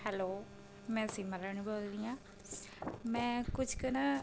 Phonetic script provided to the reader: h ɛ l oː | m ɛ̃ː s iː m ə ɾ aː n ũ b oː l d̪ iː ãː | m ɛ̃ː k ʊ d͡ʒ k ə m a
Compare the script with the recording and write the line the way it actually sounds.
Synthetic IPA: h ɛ l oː | m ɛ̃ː s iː m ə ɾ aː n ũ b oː l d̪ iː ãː | m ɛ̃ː k ʊ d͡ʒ k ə n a